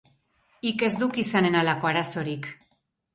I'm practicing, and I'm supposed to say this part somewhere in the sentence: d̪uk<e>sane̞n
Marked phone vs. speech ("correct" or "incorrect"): incorrect